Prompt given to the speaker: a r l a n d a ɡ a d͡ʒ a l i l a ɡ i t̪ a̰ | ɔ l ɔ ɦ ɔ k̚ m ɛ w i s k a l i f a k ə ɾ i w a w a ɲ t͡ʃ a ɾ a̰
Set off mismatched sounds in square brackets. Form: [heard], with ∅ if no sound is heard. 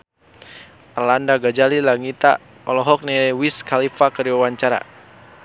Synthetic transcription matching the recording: a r l a n d a ɡ a d͡ʒ a l i l a [ŋ] i t̪ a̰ | ɔ l ɔ ɦ ɔ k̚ [n] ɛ w i s k a l i f a k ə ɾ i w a w a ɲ t͡ʃ a ɾ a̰